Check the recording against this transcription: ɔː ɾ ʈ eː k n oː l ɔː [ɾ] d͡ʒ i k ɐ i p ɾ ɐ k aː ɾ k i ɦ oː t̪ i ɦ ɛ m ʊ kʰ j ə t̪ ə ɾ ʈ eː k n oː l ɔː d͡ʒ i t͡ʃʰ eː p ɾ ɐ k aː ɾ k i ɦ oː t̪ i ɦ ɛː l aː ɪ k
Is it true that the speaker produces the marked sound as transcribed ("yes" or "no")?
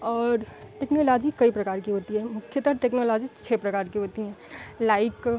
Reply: no